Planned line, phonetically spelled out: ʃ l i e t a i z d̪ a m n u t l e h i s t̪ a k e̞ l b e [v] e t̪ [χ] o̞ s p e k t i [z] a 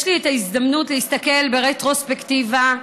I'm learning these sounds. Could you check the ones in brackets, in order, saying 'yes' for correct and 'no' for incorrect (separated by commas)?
no, no, no